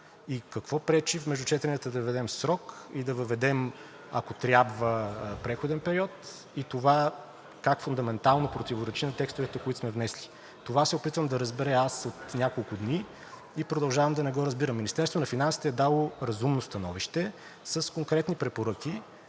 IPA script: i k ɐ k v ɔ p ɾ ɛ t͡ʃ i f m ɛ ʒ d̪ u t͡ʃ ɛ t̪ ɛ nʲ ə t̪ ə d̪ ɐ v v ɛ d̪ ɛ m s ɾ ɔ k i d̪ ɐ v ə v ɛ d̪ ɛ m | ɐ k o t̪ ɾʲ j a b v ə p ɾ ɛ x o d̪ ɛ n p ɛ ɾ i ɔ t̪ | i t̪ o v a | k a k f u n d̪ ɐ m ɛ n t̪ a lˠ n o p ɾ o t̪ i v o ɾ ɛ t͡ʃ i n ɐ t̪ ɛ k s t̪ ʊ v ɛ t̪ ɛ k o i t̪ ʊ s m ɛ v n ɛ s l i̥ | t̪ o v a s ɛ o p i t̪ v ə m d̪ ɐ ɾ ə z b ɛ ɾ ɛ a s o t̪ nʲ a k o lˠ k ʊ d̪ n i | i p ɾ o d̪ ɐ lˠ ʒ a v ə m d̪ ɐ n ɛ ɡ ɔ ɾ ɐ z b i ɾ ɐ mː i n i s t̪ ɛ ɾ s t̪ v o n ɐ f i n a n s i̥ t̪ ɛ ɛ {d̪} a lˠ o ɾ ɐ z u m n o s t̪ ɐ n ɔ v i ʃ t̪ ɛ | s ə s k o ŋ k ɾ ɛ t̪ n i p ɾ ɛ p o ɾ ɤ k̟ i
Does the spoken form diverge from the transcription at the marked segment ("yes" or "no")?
no